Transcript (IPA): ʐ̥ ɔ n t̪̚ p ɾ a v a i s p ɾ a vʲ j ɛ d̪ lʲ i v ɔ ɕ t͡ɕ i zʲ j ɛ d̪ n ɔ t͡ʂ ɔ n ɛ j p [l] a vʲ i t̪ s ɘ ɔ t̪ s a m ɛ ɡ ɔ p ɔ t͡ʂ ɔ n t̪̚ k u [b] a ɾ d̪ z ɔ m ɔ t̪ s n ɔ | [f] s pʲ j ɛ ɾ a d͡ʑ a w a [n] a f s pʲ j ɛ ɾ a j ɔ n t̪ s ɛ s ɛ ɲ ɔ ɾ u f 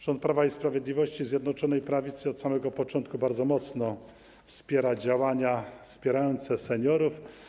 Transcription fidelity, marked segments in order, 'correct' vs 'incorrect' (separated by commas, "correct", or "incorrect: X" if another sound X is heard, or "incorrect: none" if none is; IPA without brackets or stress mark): incorrect: ɾ, correct, correct, incorrect: ɲ